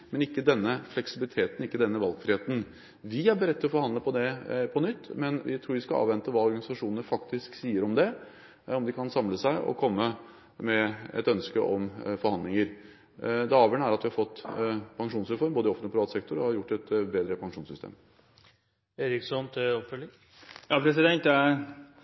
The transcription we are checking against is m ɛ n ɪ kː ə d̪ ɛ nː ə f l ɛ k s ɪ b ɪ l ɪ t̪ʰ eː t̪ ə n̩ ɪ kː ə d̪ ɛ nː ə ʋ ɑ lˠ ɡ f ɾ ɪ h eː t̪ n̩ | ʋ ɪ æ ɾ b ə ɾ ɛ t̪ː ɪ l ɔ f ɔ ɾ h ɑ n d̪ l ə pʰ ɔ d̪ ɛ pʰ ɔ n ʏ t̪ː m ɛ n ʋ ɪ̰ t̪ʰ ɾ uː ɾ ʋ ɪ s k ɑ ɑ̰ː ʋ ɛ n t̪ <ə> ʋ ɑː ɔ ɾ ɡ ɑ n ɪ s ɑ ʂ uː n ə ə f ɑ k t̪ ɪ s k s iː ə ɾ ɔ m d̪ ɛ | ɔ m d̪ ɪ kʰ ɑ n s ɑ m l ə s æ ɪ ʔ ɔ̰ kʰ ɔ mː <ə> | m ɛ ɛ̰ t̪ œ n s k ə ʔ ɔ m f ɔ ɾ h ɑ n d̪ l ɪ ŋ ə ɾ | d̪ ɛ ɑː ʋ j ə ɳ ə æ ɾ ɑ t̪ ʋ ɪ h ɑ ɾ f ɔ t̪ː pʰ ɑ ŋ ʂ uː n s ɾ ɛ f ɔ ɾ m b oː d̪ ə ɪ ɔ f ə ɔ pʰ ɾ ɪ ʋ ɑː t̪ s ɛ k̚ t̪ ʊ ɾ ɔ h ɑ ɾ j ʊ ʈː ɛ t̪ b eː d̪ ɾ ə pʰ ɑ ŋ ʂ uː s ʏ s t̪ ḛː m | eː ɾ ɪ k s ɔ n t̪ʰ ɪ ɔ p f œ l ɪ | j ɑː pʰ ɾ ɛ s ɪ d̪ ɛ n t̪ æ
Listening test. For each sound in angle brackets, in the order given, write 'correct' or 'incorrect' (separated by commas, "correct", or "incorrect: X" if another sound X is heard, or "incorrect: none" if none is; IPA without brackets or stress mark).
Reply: correct, correct